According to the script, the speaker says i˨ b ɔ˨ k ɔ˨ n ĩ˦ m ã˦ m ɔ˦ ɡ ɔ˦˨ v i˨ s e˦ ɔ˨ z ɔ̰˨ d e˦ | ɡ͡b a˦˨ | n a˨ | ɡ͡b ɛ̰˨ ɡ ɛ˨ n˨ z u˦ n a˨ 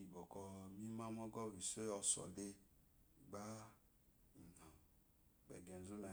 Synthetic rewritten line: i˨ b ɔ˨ k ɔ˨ m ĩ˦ m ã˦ m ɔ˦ ɡ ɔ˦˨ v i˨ s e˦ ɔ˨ s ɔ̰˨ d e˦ | ɡ͡b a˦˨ | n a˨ | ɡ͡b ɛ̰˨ ɡ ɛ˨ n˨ z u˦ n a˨